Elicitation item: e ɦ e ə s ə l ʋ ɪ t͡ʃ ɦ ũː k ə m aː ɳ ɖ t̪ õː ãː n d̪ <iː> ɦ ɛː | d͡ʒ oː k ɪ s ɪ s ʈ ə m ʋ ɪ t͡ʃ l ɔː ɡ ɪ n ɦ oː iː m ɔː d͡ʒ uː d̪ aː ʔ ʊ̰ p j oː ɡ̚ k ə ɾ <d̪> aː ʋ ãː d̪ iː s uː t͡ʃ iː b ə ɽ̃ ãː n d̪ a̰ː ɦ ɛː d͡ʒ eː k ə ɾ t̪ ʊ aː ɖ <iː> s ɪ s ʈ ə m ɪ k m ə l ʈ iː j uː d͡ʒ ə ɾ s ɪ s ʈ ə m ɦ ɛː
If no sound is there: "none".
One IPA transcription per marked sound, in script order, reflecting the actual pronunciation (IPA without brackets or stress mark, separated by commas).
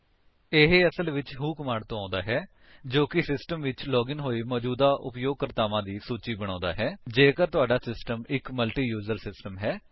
aː, t̪, aː